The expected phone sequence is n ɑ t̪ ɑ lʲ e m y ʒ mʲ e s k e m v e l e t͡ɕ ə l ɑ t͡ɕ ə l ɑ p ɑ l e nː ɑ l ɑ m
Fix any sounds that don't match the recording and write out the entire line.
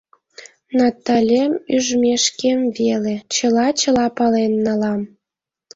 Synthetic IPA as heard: n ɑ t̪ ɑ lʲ e m y ʒ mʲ e ʃ k e m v e l e t͡ɕ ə l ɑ t͡ɕ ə l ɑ p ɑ l e nː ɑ l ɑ m